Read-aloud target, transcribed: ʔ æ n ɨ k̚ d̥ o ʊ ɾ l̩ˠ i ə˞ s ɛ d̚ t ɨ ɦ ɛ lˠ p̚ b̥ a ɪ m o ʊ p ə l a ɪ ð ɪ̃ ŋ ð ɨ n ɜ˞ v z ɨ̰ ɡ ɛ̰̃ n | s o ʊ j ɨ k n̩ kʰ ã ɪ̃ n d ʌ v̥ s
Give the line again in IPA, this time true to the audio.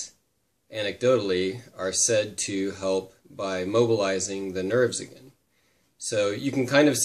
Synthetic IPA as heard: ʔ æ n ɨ k̚ d̥ o ʊ ɾ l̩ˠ i ə˞ s ɛ d̚ tʰ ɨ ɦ ɛ lˠ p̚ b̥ a ɪ m o ʊ b ə l a ɪ z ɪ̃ ŋ ð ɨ n ɜ˞ v z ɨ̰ ɡ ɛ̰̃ n | s o ʊ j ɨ k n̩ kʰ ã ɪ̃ n d ʌ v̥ s

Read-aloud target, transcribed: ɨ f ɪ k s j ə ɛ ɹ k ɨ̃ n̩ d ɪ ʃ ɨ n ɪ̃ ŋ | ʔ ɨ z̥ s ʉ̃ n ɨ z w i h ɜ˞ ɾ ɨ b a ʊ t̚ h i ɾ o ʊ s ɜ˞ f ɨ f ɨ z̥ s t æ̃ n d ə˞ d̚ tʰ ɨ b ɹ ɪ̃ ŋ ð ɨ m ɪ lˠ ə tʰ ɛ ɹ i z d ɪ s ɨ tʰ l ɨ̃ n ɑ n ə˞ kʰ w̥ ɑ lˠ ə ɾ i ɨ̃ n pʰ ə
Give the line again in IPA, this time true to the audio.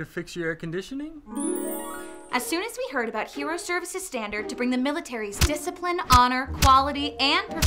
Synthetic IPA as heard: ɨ f ɪ k s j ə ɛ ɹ k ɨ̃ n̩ d ɪ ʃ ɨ n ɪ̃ ŋ | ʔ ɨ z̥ s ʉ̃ n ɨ z w i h ɜ˞ ɾ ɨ b a ʊ t̚ h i ɹ o ʊ s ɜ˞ v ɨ s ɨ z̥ s t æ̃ n d ə˞ d̚ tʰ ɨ b ɹ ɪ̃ ŋ ð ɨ m ɪ lˠ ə tʰ ɛ ɹ i z d ɪ s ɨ pʰ l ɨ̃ n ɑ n ə˞ kʰ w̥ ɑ lˠ ə ɾ i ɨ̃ n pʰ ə

